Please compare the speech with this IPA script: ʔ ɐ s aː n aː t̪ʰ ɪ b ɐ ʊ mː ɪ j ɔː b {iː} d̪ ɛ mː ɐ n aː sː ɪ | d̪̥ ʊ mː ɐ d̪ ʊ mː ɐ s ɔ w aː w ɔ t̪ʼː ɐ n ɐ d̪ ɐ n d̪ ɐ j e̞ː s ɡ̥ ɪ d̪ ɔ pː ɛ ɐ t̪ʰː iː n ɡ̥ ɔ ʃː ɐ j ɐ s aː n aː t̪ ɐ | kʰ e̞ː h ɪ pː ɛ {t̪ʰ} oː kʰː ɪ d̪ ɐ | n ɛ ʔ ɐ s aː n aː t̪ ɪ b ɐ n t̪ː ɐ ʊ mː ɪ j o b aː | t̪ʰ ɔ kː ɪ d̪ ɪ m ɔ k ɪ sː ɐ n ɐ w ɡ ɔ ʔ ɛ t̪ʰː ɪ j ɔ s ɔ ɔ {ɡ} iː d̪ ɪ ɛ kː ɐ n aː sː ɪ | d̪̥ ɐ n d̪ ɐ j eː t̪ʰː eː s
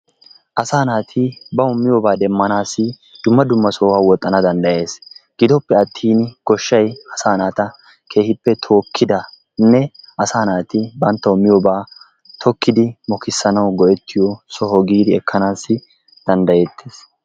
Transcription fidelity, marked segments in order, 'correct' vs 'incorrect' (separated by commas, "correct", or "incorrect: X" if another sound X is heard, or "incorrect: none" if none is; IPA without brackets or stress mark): incorrect: aː, correct, correct